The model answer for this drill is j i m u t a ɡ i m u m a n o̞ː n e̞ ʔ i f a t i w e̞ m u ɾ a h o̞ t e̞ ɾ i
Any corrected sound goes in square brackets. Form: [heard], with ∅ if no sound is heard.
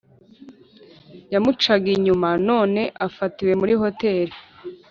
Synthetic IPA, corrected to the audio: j [a] m u [t͡ʃ] a ɡ i [ɲ] u m a n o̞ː n e̞ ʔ [a] f a t i w e̞ m u ɾ [i] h o̞ t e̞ ɾ i